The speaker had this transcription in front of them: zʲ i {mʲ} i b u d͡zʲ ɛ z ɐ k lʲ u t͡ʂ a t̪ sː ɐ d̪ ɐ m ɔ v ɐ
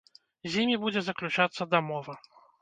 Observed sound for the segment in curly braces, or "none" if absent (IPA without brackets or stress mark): mʲ